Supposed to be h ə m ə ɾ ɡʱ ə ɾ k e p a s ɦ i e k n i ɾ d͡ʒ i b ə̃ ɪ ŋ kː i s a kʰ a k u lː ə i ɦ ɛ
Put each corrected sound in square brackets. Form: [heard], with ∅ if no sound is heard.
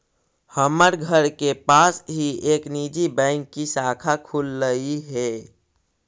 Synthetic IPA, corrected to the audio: h ə m ə ɾ ɡʱ ə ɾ k e p a s ɦ i e k n i [∅] d͡ʒ i b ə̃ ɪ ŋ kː i s a kʰ a [kʰ] u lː ə i ɦ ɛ